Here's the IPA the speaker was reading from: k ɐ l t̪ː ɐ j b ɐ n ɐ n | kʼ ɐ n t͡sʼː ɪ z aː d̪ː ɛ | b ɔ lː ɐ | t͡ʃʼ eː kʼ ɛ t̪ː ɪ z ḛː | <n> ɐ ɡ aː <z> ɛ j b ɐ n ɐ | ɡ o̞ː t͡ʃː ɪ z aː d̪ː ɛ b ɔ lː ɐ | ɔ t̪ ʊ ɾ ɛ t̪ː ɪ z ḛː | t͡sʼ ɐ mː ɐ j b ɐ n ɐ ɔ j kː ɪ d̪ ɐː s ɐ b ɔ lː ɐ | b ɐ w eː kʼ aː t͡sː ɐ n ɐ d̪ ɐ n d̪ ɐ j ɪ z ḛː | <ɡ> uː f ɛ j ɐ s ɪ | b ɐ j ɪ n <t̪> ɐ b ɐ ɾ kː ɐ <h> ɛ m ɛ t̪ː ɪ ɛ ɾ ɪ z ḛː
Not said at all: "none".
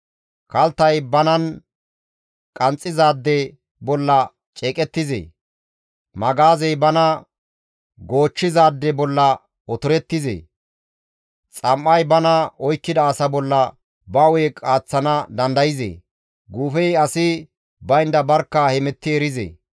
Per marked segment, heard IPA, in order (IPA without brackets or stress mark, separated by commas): m, z, ɡ, d̪, h